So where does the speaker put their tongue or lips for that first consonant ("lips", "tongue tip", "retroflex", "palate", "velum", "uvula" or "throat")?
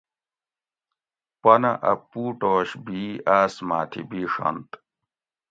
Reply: lips